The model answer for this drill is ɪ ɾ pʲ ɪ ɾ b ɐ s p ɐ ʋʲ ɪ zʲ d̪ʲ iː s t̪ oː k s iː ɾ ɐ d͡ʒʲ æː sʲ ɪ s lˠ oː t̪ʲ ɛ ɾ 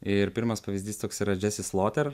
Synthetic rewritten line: ɪ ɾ pʲ ɪ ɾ m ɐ s p ɐ ʋʲ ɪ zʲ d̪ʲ iː s t̪ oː k s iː ɾ ɐ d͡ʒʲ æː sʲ ɪ s lˠ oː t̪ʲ ɛ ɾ